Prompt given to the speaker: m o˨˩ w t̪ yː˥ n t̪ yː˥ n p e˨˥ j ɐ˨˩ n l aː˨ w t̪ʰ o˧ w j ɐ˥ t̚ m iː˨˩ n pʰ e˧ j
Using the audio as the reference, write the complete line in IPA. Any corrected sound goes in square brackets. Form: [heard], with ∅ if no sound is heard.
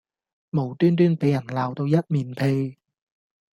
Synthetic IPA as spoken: m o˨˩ w t̪ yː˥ n t̪ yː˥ n p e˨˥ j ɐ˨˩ n l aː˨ w [t̪] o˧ w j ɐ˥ t̚ m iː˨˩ n pʰ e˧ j